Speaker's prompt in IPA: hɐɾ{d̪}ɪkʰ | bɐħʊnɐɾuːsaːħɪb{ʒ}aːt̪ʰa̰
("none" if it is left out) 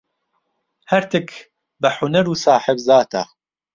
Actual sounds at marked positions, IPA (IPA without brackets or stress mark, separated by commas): t̪, z